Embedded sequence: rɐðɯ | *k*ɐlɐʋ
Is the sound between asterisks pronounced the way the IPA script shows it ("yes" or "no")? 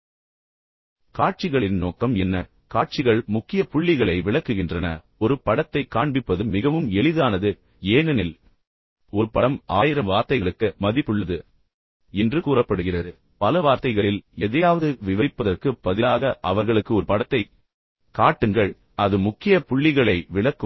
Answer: no